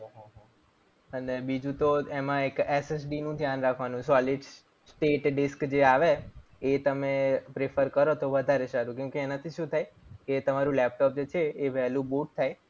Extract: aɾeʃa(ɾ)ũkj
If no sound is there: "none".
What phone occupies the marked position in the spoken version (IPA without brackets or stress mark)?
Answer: ɾ